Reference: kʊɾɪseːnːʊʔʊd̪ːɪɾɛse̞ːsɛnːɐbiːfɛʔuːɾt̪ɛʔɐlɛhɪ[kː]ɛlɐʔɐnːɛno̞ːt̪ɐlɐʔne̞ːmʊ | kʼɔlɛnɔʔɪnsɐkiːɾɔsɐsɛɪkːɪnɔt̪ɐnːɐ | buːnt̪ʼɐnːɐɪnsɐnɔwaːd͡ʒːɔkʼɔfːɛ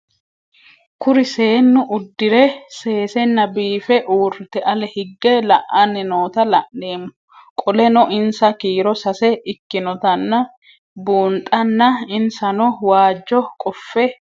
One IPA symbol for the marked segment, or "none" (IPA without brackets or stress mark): ɡː